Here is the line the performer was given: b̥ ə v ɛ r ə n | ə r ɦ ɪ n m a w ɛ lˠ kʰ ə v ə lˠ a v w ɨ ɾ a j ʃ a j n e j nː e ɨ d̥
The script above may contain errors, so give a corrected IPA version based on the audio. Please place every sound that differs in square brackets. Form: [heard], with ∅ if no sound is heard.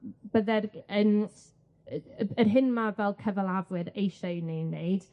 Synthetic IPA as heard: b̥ ə [ð] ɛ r ə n | ə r ɦ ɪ n m a [v] ɛ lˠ kʰ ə v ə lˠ a v w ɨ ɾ [e] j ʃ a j n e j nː e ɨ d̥